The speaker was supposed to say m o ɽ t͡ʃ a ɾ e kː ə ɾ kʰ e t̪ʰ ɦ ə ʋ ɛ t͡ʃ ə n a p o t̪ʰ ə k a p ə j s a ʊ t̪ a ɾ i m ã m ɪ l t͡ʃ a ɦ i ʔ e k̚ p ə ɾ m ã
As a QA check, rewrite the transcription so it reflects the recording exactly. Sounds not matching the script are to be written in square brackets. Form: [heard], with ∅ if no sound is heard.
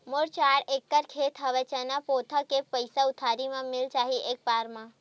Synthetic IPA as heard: m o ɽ t͡ʃ a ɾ e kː ə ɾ kʰ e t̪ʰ ɦ ə ʋ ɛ t͡ʃ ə n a p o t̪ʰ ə k [e] p ə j s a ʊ [t̪ʰ] a ɾ i m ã m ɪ l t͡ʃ a ɦ i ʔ e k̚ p [a] ɾ m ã